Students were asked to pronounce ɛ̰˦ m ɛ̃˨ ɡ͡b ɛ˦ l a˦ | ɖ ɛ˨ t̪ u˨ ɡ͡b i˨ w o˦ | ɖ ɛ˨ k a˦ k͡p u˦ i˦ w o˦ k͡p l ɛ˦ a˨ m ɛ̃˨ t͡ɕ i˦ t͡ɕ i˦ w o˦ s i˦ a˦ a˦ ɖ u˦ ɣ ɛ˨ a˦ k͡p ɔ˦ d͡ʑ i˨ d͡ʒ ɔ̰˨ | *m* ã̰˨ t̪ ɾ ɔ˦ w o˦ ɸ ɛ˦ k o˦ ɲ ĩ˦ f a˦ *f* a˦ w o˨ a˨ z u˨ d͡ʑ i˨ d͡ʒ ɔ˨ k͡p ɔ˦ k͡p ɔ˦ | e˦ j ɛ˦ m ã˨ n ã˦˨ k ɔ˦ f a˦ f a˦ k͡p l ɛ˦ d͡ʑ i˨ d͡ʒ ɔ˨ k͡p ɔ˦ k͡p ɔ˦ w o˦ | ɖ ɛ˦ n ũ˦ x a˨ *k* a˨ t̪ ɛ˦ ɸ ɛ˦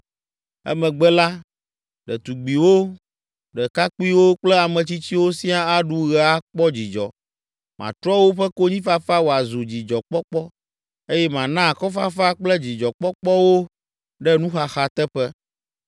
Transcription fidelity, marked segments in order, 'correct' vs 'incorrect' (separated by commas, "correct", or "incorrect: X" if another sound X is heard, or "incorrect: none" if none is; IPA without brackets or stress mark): correct, correct, incorrect: x